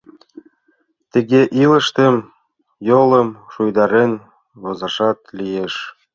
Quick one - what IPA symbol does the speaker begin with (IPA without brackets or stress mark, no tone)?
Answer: t̪